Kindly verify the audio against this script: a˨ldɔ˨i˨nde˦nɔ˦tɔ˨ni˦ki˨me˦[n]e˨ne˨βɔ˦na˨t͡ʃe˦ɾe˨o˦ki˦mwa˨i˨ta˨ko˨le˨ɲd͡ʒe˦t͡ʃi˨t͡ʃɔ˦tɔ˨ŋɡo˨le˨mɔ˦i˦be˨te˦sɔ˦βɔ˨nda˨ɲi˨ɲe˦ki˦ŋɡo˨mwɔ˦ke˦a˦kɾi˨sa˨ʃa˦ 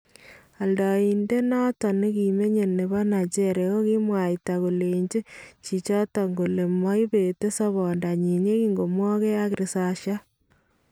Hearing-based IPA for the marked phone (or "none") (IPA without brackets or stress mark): ɲ